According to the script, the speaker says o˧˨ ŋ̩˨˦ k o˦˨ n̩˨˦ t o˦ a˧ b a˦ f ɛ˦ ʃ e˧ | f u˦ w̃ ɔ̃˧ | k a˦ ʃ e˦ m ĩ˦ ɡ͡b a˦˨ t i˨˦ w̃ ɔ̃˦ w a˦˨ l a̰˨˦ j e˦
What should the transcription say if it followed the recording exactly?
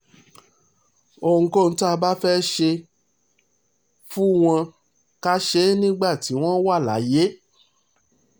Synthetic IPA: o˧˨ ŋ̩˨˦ k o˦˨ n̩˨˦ t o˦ a˧ b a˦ f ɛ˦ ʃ e˧ | f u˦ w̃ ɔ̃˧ | k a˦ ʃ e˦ n ĩ˦ ɡ͡b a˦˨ t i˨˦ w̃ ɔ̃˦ w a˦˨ l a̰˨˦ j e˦

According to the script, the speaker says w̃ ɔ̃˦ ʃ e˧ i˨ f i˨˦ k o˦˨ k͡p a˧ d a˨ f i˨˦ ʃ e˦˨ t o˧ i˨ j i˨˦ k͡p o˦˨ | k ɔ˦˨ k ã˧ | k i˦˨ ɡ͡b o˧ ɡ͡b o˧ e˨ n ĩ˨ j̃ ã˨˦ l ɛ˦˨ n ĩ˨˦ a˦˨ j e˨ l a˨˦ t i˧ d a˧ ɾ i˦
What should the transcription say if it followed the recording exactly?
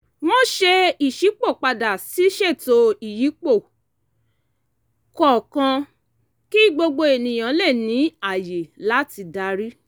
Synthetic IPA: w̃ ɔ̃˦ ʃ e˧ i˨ ʃ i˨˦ k͡p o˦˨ k͡p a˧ d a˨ s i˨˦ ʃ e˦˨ t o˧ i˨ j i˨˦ k͡p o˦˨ | k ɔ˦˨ k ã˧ | k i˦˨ ɡ͡b o˧ ɡ͡b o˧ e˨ n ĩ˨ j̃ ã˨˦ l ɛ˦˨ n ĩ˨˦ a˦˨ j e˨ l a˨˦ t i˧ d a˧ ɾ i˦

